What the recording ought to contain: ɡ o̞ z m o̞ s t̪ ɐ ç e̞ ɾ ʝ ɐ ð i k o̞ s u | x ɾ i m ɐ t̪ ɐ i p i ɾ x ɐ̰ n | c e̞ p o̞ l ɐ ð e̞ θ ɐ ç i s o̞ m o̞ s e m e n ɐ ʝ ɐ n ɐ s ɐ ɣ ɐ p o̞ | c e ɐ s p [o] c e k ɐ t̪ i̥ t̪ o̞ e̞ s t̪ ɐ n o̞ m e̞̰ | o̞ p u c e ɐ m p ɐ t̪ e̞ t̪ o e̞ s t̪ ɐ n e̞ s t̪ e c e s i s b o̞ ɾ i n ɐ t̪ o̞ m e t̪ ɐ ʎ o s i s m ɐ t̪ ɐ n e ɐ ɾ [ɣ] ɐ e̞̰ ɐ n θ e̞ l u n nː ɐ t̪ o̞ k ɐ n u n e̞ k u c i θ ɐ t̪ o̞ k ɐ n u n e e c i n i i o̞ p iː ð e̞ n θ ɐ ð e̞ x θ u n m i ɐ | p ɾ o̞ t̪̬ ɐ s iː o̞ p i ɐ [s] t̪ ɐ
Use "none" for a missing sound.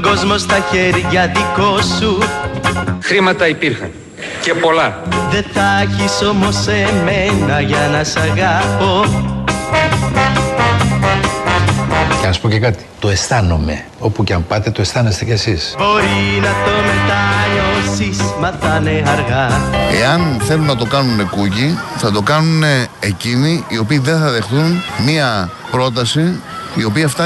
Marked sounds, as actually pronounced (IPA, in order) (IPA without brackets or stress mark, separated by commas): o, ɣ, f